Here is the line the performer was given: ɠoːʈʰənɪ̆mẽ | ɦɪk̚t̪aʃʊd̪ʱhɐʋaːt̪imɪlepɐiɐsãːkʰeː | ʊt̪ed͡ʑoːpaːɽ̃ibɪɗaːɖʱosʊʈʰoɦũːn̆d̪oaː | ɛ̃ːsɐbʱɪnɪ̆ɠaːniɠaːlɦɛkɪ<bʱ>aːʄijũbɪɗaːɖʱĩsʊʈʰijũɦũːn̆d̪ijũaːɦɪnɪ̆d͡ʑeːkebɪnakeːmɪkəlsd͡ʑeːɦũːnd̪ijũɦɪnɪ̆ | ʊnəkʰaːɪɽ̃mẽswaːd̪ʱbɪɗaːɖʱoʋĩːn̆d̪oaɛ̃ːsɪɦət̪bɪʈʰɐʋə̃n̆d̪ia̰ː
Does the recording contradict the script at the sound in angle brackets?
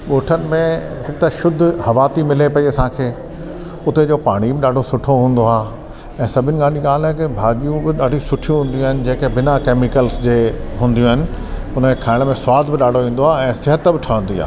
no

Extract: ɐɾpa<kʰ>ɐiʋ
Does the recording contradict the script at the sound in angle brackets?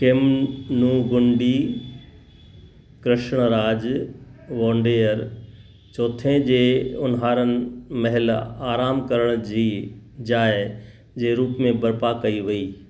yes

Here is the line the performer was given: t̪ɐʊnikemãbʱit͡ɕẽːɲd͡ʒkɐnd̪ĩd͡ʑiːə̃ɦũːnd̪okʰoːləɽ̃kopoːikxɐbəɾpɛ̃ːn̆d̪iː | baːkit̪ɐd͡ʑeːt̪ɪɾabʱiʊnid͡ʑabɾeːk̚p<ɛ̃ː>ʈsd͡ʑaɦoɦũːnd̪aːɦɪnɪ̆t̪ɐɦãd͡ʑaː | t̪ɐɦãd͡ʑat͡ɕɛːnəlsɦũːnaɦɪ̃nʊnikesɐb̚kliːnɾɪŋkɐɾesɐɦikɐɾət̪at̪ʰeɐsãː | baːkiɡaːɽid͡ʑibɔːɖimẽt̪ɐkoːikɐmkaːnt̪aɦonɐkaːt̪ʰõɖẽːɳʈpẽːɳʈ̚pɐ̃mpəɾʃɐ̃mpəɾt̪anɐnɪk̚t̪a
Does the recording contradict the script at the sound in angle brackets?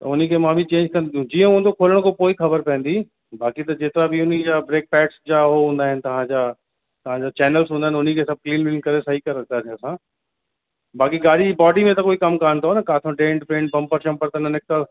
yes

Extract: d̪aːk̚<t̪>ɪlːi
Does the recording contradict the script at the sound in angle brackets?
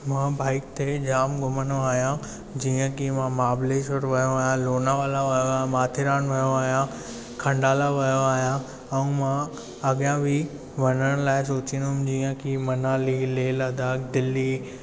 yes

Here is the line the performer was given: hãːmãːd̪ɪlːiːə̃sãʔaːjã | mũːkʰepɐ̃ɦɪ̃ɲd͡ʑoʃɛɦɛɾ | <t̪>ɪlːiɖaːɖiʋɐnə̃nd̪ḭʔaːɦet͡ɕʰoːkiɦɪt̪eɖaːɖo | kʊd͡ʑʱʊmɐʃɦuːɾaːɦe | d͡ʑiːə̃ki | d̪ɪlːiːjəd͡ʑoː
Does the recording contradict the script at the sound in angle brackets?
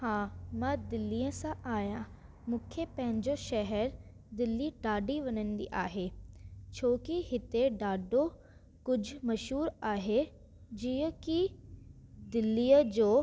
yes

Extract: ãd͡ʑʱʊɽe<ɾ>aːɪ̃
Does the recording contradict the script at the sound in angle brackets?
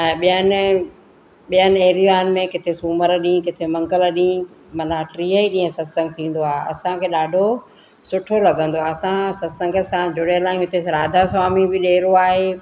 yes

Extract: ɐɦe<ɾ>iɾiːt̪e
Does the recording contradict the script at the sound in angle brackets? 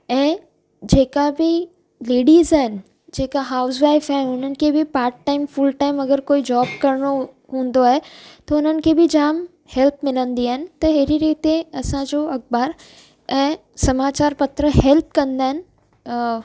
no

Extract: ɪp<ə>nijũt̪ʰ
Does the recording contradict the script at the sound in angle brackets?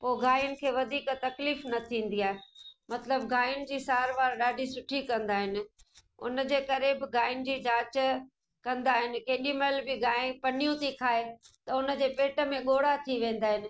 yes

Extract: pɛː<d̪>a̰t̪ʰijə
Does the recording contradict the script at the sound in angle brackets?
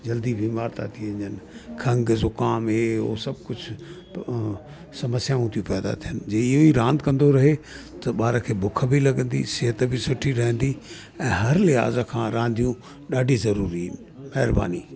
no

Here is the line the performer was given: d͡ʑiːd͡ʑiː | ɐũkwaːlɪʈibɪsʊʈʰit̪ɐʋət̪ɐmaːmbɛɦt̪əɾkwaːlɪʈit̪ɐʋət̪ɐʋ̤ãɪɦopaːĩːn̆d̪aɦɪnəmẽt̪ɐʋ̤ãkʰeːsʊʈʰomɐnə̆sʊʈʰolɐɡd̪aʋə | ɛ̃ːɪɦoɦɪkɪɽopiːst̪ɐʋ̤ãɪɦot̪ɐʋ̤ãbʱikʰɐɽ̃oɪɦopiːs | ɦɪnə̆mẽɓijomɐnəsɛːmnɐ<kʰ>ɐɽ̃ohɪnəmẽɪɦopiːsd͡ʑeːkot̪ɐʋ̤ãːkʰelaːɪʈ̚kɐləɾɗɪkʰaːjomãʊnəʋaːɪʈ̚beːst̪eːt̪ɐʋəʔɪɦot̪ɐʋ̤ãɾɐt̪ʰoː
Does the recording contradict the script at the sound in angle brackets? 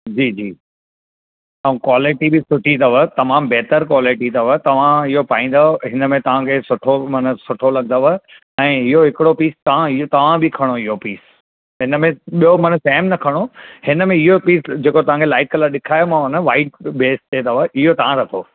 no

